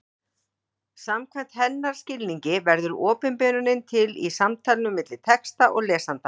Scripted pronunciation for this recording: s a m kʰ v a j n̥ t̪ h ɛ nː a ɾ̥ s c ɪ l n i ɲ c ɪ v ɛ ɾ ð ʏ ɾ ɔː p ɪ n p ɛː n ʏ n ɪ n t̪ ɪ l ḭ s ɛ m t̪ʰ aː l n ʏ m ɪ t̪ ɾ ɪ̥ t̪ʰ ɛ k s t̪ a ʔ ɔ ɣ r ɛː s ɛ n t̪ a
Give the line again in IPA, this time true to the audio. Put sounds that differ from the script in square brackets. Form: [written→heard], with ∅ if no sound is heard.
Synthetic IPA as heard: s a m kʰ v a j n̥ t̪ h ɛ nː a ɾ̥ s c ɪ l n i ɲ c ɪ v ɛ ɾ ð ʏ ɾ ɔː p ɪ n p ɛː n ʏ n ɪ n [t̪→t̪ʰ] ɪ l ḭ s [ɛ→a] m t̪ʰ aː l n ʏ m ɪ t̪ [ɾ→l] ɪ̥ t̪ʰ ɛ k s t̪ a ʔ ɔ ɣ [r→l] ɛː s [ɛ→a] n t̪ a

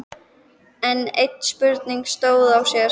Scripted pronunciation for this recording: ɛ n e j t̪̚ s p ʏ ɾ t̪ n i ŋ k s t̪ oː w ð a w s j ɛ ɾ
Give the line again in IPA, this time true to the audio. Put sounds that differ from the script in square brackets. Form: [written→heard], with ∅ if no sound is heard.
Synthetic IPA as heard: ɛ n e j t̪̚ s p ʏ ɾ t̪ n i ŋ k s t̪ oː w ð a w s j ɛ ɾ

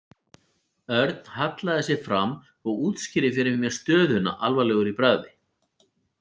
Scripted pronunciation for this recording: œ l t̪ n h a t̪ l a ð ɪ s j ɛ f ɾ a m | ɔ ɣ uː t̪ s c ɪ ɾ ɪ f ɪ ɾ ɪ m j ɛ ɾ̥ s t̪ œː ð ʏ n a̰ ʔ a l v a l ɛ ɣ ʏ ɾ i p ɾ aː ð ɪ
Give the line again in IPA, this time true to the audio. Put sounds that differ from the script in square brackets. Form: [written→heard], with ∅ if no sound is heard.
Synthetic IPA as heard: œ [l→ɾ] t̪ n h a t̪ l a ð ɪ s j ɛ f ɾ a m | ɔ ɣ uː t̪ s c ɪ ɾ ɪ f ɪ ɾ ɪ m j ɛ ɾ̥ s t̪ œː ð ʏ n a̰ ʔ a l v a l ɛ ɣ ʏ ɾ i p ɾ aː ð ɪ

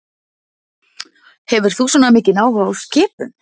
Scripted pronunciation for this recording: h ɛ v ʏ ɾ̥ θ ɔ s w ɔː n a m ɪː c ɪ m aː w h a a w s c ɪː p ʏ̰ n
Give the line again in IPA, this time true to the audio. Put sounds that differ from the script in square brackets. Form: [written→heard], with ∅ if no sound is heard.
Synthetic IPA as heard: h ɛ v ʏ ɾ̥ θ [ɔ→u] s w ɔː n a m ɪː c ɪ [m→n] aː w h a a w s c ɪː p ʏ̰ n

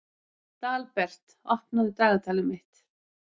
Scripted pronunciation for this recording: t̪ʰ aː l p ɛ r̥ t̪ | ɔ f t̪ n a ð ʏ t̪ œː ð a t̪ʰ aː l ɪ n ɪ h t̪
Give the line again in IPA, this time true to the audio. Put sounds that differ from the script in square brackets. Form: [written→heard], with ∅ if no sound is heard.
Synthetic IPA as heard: [t̪ʰ→t̪] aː l p ɛ r̥ t̪ | ɔ [f→h] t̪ n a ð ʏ t̪ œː [ð→ɣ] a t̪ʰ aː l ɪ [n→m] ɪ h t̪

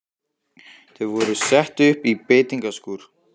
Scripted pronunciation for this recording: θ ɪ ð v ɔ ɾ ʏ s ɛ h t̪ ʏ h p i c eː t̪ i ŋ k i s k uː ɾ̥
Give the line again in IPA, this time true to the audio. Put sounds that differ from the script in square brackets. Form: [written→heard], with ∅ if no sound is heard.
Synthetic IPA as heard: θ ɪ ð v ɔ ɾ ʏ s ɛ h t̪ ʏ h p i [c→p] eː t̪ i ŋ k [i→a] s k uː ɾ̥

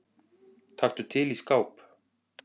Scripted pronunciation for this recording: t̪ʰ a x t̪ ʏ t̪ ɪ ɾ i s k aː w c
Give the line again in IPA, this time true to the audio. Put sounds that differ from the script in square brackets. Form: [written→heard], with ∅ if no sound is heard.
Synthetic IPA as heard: t̪ʰ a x t̪ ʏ [t̪→t̪ʰ] ɪ [ɾ→l] i s k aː w [c→p]

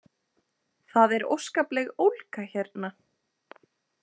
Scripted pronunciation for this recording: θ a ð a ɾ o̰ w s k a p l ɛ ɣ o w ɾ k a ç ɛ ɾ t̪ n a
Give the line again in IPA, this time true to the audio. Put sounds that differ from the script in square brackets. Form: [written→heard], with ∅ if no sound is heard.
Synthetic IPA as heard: θ a ð [a→ɛ] ɾ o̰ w s k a p l ɛ ɣ o w [ɾ→l] k a ç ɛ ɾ t̪ n a

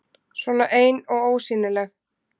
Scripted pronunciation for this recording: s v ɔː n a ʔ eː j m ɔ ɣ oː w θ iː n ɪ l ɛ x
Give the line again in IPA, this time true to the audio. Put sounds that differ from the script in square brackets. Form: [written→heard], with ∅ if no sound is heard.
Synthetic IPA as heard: s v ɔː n a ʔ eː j [m→n] ɔ ɣ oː w [θ→s] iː n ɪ l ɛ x

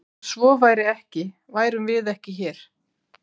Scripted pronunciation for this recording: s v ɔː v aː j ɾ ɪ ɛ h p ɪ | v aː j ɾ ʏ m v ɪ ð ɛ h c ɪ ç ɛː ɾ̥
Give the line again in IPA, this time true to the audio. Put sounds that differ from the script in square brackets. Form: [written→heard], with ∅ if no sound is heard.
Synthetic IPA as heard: s v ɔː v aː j ɾ ɪ ɛ h [p→c] ɪ | v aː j ɾ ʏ m v ɪ ð ɛ h c ɪ ç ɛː ɾ̥

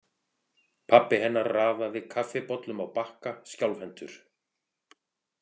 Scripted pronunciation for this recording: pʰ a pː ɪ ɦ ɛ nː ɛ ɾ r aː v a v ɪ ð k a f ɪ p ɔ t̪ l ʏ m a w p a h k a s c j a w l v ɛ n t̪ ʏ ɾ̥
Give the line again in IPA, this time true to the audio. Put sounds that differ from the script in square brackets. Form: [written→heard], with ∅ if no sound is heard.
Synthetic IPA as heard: pʰ a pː ɪ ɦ ɛ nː [ɛ→a] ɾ r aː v a v ɪ ð [k→kʰ] a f ɪ p ɔ t̪ l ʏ m a w p a h k a s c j a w l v ɛ n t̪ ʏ ɾ̥

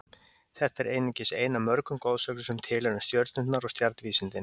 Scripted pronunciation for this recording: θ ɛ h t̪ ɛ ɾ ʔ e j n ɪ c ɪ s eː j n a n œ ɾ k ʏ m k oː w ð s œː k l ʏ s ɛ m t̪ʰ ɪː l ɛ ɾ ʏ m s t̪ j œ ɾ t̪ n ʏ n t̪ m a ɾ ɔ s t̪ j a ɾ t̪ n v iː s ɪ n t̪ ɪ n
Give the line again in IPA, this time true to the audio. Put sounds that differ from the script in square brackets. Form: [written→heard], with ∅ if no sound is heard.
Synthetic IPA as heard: θ ɛ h t̪ ɛ ɾ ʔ e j n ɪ c ɪ s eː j n a [n→m] œ ɾ k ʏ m k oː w ð s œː k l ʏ s ɛ m t̪ʰ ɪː l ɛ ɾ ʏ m s t̪ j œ ɾ t̪ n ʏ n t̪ [m→n] a ɾ ɔ s t̪ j a ɾ t̪ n v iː s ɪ n t̪ ɪ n

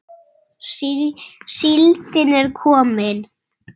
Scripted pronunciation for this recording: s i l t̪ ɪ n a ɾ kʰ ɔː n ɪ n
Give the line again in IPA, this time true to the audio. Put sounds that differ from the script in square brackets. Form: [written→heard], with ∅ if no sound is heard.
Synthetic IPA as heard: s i l t̪ ɪ n [a→ɛ] ɾ kʰ ɔː [n→m] ɪ n

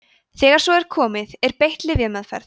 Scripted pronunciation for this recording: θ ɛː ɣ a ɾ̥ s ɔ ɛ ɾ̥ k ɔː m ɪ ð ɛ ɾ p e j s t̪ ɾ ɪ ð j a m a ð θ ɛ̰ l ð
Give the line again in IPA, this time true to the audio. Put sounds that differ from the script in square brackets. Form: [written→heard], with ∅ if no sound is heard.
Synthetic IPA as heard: θ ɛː ɣ a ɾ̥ s ɔ ɛ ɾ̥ [k→kʰ] ɔː m ɪ ð ɛ ɾ p e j [s→h] t̪ [ɾ→l] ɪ ð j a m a ð [θ→f] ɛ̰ [l→ɾ] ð

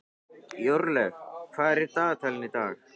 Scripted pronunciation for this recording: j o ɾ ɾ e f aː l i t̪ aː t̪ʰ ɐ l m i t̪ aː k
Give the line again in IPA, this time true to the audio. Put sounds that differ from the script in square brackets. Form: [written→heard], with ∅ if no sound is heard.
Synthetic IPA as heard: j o ɾ [ɾ→l] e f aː [l→ɾ] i t̪ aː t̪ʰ ɐ l [m→n] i t̪ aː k

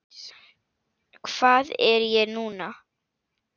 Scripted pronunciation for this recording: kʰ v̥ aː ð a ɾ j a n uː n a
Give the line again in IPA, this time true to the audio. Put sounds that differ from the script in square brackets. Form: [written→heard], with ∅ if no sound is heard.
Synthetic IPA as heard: kʰ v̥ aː ð [a→ɛ] ɾ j [a→ɛ] n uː n a

